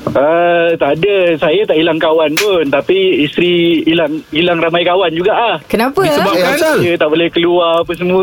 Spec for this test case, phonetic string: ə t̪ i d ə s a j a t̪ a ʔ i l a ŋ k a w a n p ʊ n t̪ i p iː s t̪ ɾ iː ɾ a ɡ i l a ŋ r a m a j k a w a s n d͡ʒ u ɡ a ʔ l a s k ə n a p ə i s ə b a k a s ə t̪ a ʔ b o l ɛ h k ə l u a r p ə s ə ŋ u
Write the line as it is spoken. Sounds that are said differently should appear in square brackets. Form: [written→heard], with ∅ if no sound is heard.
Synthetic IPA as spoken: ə t̪ [i→a] d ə s a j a t̪ a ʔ i l a ŋ k a w a n p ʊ n t̪ [i→a] p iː s t̪ ɾ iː [ɾ→l] a [ɡ→ŋ] i l a ŋ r a m a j k a w a [s→∅] n d͡ʒ u ɡ a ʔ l a [s→h] k ə n a p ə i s ə b a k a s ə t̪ a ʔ b o l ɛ h k ə l u a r p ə s ə [ŋ→m] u